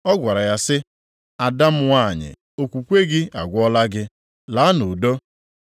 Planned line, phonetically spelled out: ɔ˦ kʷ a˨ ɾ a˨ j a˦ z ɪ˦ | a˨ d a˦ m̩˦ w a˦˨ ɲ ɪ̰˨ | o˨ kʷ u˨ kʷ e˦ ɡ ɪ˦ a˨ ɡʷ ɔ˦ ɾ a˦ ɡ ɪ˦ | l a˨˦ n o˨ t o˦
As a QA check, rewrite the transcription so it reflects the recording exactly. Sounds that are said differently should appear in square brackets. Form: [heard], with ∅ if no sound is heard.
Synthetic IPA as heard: ɔ˦ [ɡʷ] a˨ ɾ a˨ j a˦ [s] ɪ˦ | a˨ d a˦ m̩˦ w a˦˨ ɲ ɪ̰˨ | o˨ kʷ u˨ kʷ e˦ ɡ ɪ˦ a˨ ɡʷ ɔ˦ [l] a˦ ɡ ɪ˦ | l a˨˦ n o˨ [d] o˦